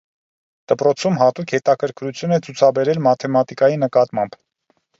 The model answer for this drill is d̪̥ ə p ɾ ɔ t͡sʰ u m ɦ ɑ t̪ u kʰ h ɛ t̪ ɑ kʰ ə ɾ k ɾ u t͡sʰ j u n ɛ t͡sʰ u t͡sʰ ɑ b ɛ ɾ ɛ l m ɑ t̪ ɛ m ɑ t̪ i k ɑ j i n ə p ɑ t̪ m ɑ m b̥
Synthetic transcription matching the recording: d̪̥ ə p ɾ ɔ t͡sʰ u m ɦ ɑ t̪ u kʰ h ɛ t̪ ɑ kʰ ə ɾ k ɾ u t͡sʰ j u n ɛ t͡sʰ u t͡sʰ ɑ b ɛ ɾ ɛ l m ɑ t̪ʰ ɛ m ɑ t̪ i k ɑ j i n ə k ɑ t̪ m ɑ m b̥